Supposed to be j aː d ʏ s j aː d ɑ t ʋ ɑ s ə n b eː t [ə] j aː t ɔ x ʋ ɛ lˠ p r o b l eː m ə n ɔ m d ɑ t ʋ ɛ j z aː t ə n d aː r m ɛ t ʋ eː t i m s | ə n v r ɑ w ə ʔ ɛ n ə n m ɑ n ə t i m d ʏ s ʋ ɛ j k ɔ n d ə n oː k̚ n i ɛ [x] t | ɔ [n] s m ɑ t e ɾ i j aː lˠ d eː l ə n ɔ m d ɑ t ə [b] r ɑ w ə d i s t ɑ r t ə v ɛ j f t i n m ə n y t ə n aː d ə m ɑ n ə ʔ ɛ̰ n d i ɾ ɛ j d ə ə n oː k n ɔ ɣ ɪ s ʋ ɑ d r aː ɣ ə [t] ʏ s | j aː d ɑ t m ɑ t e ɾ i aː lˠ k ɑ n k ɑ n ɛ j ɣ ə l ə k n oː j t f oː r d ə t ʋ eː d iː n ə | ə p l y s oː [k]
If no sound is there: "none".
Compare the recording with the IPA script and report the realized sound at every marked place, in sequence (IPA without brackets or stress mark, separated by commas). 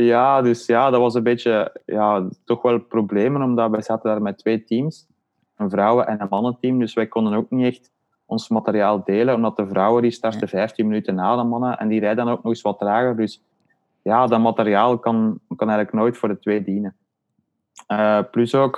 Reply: ə, x, n, v, d, k